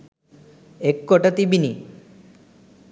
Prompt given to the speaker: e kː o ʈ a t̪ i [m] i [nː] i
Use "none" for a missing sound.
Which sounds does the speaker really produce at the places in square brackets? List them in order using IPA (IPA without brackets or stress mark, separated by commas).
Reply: b, n